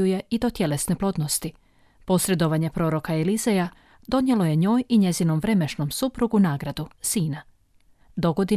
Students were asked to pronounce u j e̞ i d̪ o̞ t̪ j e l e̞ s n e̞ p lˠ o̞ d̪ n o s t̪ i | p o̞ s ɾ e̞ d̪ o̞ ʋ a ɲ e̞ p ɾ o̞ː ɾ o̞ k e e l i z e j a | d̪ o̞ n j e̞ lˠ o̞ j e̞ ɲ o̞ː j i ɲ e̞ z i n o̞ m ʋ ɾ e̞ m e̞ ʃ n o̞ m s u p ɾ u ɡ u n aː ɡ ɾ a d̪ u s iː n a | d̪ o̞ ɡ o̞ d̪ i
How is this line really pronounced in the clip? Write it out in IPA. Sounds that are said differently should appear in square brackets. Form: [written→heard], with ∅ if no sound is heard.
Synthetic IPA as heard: u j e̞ i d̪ o̞ t̪ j e l e̞ s n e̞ p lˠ o̞ d̪ n o s t̪ i | p o̞ s ɾ e̞ d̪ o̞ ʋ a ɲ e̞ p ɾ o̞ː ɾ o̞ k [e→a] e l i z e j a | d̪ o̞ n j e̞ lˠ o̞ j e̞ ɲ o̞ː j i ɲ e̞ z i n o̞ m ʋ ɾ e̞ m e̞ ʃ n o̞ m s u p ɾ u ɡ u n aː ɡ ɾ a d̪ u s iː n a | d̪ o̞ ɡ o̞ d̪ i